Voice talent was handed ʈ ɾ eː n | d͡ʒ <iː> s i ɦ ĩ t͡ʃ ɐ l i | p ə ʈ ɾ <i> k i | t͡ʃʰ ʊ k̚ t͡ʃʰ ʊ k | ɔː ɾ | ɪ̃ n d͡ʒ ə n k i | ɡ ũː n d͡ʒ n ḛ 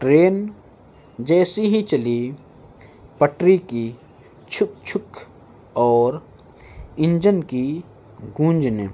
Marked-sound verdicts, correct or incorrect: incorrect: ɛː, correct

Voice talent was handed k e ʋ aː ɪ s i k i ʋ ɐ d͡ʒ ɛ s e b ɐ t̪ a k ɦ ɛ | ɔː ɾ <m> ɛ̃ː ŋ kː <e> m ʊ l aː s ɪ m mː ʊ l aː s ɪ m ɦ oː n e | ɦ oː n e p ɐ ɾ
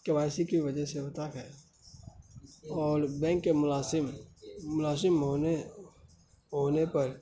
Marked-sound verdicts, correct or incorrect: incorrect: b, correct

